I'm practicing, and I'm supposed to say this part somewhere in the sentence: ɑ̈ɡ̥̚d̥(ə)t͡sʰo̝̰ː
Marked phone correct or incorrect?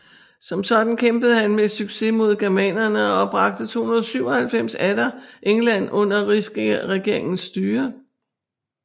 correct